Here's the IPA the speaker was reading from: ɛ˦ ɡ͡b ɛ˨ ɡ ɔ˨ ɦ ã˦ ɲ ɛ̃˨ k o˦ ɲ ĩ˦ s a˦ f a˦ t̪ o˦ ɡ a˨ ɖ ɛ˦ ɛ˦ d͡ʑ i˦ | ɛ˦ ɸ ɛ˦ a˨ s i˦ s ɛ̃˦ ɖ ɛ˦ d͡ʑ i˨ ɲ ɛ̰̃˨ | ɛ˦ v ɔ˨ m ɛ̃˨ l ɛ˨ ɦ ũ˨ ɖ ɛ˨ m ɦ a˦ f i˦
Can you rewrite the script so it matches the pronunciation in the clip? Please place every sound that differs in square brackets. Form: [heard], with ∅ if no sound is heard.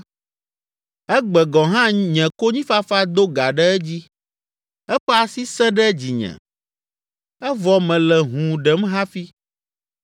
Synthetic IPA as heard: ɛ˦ ɡ͡b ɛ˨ ɡ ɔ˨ ɦ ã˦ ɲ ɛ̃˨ k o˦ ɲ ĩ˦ [f] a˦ f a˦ [d̪] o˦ ɡ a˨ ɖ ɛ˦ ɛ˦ d͡ʑ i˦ | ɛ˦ ɸ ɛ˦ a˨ s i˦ s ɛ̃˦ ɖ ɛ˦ d͡ʑ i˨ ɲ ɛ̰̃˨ | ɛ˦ v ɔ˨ m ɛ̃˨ l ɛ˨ ɦ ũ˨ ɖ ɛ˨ m ɦ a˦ f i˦

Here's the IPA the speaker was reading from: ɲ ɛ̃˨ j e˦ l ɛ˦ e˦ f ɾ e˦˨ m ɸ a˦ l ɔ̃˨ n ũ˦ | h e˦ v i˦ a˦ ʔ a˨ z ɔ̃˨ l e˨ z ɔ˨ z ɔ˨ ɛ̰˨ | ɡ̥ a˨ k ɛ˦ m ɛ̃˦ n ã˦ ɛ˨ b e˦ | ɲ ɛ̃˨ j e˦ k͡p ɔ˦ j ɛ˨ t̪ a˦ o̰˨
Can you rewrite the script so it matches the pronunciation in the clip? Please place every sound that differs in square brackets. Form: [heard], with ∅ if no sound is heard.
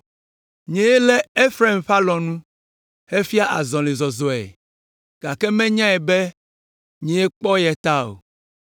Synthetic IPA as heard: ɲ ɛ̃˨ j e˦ l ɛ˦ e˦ f ɾ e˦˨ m ɸ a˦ l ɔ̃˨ n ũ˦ | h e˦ [f] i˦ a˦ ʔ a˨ z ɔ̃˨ l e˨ z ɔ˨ z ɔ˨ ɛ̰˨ | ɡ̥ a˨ k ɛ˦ m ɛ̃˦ [ɲ] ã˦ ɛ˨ b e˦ | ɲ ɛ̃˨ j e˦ k͡p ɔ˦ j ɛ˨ t̪ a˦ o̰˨

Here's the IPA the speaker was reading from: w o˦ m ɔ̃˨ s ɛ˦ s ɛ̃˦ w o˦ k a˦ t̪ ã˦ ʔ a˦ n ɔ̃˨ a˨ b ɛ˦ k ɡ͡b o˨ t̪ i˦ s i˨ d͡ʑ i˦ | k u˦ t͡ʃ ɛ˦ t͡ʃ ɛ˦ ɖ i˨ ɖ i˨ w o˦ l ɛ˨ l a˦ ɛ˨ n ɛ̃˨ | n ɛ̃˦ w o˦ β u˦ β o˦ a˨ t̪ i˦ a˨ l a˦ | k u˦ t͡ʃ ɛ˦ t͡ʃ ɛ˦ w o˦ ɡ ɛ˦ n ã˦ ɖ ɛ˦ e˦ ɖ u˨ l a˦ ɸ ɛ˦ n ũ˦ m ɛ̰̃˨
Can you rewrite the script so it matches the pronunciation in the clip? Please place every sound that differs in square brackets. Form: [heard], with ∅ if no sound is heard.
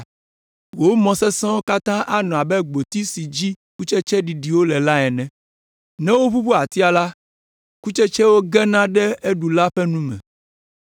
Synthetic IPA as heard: w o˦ m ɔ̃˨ s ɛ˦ s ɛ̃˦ w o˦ k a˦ t̪ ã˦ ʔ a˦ n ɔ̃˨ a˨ b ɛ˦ [∅] ɡ͡b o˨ t̪ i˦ s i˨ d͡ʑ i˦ | k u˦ t͡ʃ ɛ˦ t͡ʃ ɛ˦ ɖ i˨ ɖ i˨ w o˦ l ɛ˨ l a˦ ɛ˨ n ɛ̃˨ | n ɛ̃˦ w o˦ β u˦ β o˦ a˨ t̪ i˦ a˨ l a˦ | k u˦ t͡ʃ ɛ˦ t͡ʃ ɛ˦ w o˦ ɡ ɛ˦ n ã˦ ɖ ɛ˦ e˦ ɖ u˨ l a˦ ɸ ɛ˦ n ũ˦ m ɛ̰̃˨

